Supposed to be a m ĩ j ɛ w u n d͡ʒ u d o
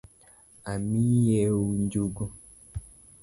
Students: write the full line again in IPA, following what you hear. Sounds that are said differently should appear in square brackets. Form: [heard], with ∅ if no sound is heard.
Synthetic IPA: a m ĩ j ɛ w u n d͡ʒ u [ɡ] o